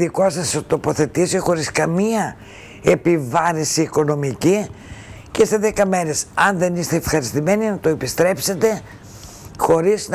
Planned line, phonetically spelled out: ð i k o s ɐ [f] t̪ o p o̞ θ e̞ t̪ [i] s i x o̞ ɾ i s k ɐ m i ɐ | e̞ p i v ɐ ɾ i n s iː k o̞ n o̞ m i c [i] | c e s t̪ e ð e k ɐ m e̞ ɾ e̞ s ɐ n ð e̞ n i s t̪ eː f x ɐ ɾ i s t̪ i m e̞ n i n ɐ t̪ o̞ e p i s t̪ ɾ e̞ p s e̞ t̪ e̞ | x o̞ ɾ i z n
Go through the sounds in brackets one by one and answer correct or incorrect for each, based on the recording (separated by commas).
incorrect, correct, correct